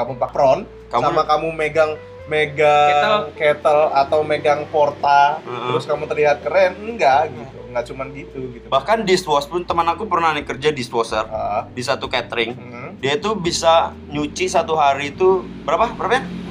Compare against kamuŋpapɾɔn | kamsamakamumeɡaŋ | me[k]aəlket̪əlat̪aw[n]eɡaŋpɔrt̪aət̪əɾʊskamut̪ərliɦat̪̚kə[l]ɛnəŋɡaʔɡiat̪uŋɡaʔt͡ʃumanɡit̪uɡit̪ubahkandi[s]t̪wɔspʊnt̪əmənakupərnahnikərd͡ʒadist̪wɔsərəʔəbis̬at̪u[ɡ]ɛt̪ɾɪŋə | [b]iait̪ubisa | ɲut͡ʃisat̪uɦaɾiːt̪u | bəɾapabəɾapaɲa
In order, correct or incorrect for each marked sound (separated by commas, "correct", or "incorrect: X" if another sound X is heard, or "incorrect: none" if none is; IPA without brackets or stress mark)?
incorrect: ɡ, incorrect: m, incorrect: ɾ, correct, incorrect: k, incorrect: d